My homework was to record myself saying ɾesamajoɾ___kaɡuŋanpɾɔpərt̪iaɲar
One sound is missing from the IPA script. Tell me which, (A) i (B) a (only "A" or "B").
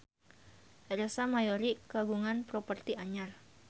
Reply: A